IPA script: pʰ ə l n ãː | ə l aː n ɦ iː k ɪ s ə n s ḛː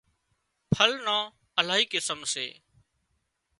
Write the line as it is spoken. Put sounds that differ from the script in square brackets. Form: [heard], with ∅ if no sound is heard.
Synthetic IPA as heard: pʰ ə l n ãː | ə l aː [∅] ɦ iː k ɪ s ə [m] s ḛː